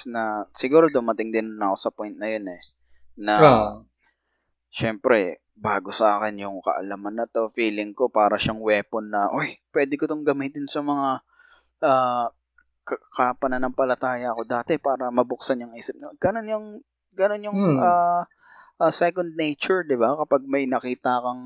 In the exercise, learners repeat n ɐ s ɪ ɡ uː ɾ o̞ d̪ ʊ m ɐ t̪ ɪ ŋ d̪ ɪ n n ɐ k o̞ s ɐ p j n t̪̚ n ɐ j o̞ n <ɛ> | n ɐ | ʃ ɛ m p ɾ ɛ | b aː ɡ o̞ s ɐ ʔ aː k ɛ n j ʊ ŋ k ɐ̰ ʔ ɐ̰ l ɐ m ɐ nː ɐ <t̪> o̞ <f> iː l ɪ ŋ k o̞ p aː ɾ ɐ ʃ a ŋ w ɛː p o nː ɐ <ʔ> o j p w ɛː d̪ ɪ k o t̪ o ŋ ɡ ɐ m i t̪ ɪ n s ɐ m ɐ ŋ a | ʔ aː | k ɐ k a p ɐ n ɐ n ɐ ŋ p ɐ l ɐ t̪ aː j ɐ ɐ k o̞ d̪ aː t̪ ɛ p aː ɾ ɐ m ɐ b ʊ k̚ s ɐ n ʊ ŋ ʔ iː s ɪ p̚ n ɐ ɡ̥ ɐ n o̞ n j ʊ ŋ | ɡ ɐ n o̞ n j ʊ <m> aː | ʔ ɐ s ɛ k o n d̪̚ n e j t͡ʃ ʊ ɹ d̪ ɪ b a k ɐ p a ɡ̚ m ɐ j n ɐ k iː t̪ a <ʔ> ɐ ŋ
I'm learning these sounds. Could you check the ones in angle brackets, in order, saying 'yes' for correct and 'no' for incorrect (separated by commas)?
yes, yes, yes, yes, no, no